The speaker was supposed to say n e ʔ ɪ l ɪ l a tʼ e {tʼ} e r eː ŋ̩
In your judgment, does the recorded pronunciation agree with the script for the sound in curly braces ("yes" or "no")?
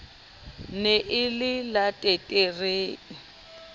yes